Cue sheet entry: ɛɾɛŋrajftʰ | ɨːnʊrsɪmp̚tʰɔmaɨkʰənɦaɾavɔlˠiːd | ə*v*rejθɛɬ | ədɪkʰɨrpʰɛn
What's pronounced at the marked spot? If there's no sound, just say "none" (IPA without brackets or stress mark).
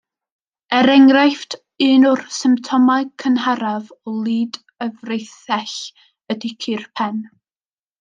v